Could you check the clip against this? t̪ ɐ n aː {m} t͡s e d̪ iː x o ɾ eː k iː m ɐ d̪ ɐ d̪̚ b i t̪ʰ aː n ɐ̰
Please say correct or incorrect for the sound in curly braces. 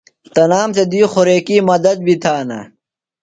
correct